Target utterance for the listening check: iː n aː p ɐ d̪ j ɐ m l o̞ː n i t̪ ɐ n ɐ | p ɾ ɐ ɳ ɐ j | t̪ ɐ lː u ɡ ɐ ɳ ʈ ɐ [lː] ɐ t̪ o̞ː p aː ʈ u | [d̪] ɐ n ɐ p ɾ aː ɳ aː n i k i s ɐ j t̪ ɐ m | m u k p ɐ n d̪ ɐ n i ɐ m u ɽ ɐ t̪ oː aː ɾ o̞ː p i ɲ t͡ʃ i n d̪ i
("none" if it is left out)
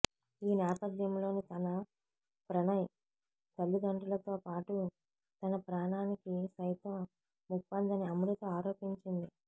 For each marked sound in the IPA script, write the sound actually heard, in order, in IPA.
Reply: l, t̪

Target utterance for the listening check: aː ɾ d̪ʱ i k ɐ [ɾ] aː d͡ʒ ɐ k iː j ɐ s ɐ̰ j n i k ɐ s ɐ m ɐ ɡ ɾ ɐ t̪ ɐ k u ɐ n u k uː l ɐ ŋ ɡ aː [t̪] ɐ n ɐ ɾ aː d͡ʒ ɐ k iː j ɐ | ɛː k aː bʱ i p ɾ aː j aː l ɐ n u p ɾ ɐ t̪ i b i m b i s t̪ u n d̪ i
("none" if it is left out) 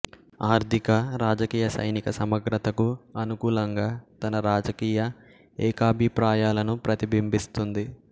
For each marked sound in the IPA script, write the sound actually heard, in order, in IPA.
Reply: ɾ, t̪

